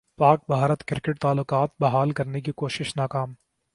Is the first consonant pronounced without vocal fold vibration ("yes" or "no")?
yes